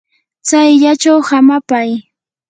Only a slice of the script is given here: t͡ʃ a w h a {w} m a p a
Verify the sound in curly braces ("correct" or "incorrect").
incorrect